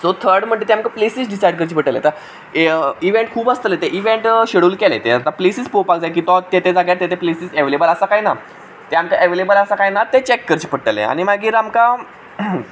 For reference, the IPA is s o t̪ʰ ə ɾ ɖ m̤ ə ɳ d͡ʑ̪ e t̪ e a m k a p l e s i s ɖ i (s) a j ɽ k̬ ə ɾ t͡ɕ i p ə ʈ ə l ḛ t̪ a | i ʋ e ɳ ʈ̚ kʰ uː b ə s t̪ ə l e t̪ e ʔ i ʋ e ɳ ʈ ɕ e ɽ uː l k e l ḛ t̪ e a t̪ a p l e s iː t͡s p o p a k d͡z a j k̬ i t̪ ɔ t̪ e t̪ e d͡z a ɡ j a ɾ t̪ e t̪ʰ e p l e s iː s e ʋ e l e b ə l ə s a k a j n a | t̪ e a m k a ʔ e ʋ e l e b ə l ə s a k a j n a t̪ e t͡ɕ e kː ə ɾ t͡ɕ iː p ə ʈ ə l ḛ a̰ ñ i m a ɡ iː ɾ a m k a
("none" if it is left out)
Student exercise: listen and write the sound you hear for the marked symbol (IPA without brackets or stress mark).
s